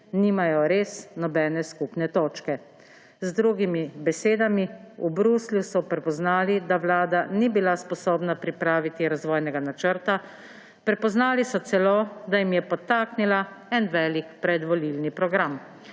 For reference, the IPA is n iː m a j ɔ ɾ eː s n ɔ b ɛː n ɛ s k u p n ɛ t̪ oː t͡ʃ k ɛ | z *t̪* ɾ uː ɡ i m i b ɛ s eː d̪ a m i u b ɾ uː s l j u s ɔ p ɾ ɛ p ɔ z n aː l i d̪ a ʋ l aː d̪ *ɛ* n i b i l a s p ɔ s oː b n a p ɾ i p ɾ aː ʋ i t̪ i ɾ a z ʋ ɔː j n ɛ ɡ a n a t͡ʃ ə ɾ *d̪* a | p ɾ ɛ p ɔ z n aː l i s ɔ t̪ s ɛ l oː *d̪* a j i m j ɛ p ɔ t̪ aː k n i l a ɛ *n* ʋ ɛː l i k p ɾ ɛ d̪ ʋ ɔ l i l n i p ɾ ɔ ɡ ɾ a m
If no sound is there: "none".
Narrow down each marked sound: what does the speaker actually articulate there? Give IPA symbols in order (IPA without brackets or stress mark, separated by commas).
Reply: d̪, a, t̪, d̪, n